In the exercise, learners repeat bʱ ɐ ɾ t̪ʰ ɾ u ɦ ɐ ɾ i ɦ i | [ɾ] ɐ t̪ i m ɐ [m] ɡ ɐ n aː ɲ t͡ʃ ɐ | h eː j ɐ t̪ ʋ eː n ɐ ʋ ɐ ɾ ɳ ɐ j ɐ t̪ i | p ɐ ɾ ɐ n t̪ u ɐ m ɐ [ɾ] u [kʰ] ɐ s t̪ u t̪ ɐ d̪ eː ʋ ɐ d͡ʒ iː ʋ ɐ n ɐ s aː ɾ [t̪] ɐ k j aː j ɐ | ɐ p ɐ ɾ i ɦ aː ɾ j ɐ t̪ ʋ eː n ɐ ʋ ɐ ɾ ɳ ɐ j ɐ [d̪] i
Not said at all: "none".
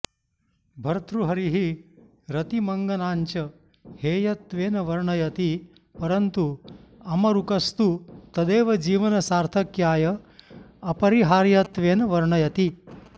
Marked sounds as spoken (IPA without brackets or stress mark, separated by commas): ɾ, ŋ, ɾ, k, t̪ʰ, t̪